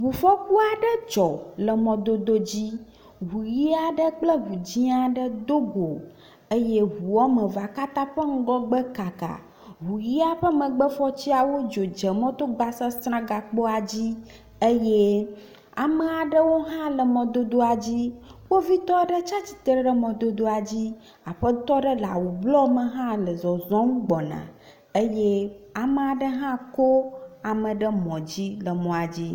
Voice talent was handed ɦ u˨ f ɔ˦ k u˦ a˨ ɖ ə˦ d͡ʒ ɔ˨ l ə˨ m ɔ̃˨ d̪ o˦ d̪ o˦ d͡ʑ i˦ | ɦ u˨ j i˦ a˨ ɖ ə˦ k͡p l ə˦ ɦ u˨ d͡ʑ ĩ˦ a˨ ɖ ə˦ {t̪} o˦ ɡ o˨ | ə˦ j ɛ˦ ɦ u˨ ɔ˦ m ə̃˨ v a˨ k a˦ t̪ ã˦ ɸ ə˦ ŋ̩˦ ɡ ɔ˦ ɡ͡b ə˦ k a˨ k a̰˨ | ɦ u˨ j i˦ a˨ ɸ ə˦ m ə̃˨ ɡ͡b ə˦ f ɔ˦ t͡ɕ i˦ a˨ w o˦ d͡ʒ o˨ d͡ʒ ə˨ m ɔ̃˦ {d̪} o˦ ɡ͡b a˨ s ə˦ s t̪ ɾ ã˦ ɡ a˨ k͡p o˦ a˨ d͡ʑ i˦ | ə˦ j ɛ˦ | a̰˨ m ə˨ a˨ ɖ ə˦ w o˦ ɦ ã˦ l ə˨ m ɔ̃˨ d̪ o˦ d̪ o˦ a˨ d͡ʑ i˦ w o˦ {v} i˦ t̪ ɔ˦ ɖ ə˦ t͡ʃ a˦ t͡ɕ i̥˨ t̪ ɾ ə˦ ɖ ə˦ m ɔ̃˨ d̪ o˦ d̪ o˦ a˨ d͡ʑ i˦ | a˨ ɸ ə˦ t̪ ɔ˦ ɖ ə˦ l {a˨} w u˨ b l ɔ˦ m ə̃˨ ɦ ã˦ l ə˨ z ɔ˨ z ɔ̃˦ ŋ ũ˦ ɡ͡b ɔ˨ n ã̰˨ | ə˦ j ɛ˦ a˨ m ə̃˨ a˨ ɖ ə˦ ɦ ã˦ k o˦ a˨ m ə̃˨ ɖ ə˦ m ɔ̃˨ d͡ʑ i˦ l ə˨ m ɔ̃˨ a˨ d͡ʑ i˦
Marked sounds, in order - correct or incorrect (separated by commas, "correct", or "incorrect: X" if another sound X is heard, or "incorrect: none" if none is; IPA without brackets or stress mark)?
incorrect: d̪, incorrect: t̪, correct, correct